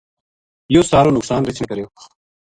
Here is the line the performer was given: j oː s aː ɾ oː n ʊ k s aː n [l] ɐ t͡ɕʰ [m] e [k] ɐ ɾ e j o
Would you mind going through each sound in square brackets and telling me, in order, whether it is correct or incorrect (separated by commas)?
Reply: incorrect, incorrect, correct